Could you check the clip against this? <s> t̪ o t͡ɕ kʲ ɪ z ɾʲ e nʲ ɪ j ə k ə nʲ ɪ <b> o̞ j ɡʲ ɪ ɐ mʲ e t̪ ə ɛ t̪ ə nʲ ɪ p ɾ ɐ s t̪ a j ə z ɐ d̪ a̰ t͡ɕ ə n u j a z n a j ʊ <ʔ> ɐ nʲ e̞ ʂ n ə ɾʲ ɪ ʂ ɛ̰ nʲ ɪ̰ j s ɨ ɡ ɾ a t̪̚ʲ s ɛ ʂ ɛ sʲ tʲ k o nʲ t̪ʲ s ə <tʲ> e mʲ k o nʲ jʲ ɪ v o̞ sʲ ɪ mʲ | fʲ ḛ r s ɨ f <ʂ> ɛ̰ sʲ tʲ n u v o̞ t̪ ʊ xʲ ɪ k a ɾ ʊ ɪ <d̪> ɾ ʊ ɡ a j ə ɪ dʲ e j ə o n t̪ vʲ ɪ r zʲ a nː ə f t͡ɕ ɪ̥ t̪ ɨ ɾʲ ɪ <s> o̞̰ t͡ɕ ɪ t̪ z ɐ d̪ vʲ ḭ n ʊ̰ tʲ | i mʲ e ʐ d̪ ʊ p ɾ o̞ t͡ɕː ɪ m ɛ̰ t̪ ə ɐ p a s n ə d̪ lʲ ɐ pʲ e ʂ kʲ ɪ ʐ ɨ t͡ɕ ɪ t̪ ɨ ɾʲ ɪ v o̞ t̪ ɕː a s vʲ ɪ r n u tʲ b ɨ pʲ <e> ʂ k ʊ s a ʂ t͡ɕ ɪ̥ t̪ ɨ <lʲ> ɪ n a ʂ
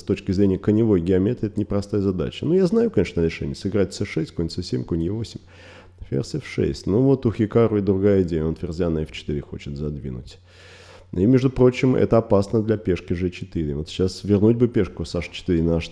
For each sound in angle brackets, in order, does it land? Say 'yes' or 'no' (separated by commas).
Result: yes, no, no, no, yes, yes, no, yes, no